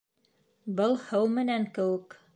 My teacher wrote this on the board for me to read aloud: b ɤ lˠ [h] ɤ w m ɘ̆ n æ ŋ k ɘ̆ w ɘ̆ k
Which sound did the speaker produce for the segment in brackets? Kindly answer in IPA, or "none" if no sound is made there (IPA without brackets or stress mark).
h